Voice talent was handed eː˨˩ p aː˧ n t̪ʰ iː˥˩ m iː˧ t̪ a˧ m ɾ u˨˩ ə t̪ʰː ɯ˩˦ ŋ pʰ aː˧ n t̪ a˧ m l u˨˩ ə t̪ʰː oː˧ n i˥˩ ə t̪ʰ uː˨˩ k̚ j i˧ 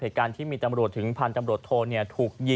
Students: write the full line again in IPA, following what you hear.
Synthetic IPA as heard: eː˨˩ k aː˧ n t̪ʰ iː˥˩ m iː˧ t̪ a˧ m ɾ u˨˩ ə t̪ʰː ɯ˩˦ ŋ pʰ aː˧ n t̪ a˧ m ɾ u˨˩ ə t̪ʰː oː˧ n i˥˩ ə t̪ʰ uː˨˩ k̚ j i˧